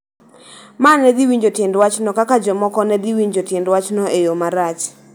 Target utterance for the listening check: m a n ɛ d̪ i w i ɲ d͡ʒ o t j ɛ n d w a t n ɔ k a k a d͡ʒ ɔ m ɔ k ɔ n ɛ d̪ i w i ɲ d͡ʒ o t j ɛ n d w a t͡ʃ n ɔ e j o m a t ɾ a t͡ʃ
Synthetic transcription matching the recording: m a n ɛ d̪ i w i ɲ d͡ʒ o t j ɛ n d w a t͡ʃ n ɔ k a k a d͡ʒ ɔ m ɔ k ɔ n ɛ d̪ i w i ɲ d͡ʒ o t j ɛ n d w a t͡ʃ n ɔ e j o m a ɾ a t͡ʃ